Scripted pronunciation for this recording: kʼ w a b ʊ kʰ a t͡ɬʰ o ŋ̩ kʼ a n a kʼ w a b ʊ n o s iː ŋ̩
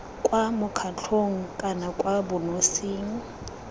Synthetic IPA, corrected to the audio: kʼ w a m ʊ kʰ a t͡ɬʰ o ŋ̩ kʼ a n a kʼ w a b ʊ n o s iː ŋ̩